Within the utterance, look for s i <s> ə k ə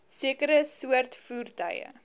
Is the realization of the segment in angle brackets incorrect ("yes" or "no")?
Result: yes